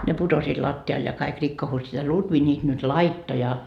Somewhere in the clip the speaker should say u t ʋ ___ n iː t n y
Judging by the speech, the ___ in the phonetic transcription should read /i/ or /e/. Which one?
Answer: i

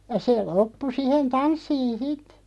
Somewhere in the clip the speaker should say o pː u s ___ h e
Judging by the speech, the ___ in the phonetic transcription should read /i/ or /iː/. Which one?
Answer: i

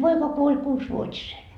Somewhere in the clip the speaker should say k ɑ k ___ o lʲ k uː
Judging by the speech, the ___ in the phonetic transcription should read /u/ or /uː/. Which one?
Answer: u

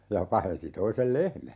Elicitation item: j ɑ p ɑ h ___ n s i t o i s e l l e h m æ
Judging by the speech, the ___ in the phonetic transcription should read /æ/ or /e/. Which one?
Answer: e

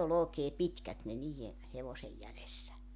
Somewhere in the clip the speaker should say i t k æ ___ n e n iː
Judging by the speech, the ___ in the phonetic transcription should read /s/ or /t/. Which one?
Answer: t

